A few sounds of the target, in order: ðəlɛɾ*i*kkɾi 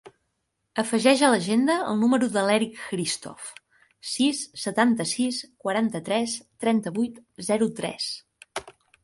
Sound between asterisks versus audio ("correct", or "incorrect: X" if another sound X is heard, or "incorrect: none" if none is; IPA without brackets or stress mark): correct